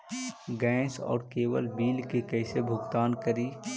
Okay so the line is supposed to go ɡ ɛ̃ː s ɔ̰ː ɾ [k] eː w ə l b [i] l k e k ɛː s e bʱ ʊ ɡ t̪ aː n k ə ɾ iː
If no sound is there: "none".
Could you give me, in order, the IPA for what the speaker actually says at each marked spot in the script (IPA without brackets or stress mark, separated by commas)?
k, iː